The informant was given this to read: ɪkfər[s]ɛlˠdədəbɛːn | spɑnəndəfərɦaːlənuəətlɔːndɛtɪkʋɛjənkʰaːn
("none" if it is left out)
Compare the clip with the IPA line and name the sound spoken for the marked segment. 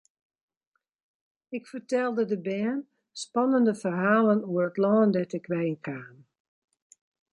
t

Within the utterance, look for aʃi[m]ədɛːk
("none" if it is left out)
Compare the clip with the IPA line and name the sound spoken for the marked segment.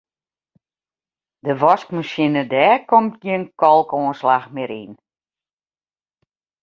n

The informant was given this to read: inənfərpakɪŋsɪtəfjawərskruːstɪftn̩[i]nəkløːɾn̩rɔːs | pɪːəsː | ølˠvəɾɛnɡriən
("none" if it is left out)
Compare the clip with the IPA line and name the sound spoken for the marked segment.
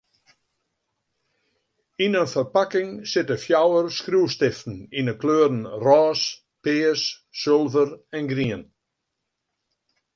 i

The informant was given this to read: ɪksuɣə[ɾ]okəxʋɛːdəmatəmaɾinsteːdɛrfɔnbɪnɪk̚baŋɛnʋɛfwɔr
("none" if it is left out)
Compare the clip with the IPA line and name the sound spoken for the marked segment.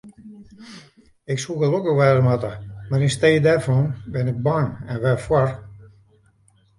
l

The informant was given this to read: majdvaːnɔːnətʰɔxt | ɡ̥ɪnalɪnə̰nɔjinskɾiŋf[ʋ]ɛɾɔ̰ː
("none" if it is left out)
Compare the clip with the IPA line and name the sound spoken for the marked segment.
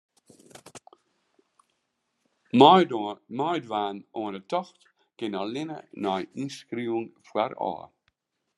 w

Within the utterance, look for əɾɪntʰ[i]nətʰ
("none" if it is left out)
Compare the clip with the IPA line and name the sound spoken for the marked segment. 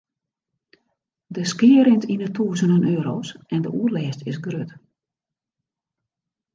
i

